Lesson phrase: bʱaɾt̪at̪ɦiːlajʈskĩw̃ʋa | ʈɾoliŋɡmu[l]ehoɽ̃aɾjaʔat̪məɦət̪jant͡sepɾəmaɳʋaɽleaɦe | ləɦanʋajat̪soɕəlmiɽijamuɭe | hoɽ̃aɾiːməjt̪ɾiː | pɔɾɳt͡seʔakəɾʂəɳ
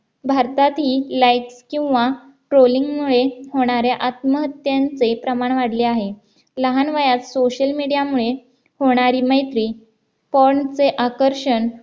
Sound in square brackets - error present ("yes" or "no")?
yes